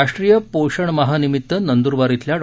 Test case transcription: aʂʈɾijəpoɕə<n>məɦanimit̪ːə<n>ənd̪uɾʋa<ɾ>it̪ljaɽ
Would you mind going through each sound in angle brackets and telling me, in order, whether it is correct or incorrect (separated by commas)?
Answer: incorrect, correct, correct